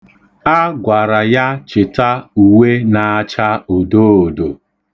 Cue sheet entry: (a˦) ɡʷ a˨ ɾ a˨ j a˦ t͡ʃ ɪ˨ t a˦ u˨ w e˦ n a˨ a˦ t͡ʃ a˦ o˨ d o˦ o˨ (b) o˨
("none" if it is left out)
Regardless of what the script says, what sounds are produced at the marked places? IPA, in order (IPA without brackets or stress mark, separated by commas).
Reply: a˦, d